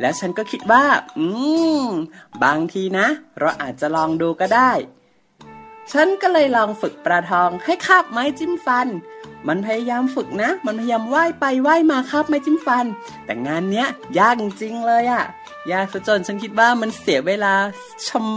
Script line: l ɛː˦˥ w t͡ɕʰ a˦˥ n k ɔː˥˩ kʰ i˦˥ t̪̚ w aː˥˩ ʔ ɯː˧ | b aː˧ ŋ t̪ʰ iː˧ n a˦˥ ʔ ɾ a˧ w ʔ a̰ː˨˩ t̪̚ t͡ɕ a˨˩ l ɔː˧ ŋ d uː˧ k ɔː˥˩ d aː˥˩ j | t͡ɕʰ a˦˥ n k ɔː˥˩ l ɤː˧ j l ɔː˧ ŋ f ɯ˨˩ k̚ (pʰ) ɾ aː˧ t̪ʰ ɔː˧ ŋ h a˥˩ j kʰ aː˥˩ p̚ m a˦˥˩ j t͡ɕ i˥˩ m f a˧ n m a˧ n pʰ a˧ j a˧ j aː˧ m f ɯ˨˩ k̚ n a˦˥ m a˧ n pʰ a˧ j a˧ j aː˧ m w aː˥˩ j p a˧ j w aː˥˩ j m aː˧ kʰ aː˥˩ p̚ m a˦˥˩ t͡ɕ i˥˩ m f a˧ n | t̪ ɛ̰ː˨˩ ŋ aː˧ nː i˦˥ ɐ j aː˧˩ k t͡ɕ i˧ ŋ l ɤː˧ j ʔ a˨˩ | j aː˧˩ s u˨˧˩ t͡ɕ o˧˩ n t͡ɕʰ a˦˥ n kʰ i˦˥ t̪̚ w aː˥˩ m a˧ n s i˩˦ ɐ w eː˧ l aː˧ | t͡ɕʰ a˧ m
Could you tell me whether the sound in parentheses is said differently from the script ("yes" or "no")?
yes